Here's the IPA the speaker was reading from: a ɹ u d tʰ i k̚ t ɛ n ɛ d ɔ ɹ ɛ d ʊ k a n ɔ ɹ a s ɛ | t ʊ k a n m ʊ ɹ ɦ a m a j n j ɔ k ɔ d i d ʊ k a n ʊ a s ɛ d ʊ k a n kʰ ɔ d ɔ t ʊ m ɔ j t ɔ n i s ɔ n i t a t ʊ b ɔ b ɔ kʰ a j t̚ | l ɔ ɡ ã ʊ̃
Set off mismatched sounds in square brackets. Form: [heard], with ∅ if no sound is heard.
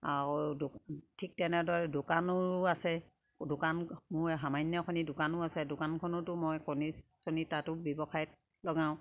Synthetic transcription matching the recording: a ɹ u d tʰ i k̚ t ɛ n ɛ d ɔ ɹ ɛ d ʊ k a n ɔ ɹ a s ɛ | [d] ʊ k a n m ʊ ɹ ɦ a m a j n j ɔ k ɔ [n] i d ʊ k a n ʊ a s ɛ d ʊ k a n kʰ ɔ [n] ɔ t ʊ m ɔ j [k] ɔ n i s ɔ n i t a t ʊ b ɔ b ɔ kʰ a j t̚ | l ɔ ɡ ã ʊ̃